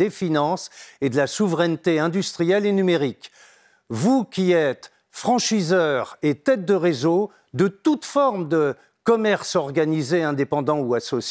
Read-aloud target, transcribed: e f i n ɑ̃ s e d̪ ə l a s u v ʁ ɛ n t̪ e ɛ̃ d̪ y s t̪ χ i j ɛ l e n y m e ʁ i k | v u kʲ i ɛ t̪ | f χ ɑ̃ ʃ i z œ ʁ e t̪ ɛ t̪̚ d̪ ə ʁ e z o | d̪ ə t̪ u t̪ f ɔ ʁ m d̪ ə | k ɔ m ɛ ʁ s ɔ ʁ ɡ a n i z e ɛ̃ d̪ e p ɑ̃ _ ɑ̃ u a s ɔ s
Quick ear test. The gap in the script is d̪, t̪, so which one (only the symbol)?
d̪